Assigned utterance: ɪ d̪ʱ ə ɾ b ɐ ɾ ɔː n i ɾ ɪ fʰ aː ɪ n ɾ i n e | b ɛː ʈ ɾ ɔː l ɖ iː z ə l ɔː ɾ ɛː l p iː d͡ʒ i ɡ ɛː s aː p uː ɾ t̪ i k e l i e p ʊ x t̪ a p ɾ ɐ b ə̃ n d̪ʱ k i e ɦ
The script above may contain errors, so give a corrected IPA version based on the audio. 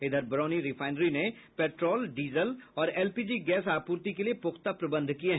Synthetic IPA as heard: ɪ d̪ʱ ə ɾ b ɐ ɾ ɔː n i ɾ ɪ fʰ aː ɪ n ɾ i n e | p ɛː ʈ ɾ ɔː l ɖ iː z ə l ɔː ɾ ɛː l p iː d͡ʒ i ɡ ɛː s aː p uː ɾ t̪ i k e l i e p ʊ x t̪ a p ɾ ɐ b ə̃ n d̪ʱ k i e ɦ